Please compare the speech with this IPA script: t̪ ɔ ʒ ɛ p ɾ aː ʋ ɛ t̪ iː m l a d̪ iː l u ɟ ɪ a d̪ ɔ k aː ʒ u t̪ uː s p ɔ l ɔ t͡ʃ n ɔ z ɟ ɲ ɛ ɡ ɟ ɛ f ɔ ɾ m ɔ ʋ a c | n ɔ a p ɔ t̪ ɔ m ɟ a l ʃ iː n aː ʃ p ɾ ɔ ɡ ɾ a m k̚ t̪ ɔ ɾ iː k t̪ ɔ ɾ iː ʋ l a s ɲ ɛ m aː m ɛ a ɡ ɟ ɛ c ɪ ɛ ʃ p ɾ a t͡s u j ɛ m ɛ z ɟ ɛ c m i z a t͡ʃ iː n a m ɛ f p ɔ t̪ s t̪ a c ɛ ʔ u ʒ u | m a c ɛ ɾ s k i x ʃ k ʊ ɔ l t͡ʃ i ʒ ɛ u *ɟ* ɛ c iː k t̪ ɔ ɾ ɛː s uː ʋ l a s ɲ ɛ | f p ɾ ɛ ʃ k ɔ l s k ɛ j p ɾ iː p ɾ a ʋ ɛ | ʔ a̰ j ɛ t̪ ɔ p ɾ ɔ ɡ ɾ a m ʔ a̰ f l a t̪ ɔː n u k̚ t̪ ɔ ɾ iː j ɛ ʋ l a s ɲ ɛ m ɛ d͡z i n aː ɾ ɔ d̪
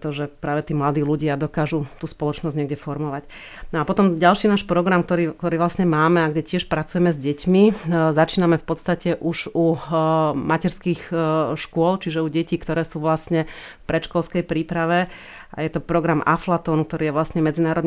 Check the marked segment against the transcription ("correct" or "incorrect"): correct